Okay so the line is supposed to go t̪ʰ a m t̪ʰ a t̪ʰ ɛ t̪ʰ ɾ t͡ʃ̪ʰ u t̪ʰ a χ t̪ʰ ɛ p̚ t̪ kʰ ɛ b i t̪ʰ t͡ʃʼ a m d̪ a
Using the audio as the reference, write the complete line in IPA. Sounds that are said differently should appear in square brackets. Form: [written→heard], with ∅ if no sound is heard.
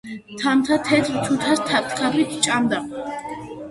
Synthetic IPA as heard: t̪ʰ a m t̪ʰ a t̪ʰ ɛ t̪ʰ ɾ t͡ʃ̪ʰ u t̪ʰ a [χ→s] t̪ʰ [ɛ→a] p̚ t̪ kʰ [ɛ→a] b i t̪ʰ t͡ʃʼ a m d̪ a